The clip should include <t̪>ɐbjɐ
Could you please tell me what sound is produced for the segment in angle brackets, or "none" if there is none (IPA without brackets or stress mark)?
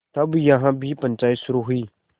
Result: t̪